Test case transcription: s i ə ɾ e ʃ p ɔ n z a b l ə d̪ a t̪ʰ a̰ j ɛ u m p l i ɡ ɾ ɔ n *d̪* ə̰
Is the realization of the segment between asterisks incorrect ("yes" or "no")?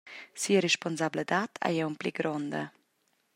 no